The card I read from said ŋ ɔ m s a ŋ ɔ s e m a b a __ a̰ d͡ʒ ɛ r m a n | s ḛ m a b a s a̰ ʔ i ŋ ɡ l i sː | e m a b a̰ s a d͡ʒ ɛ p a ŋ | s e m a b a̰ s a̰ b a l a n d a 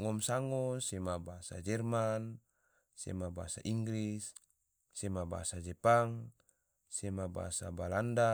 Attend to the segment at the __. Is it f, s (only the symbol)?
s